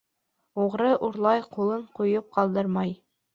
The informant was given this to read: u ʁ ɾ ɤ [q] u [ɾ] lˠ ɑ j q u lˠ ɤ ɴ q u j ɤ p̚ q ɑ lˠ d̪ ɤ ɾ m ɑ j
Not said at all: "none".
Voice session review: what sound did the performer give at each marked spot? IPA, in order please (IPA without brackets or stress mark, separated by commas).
ʔ, ɾ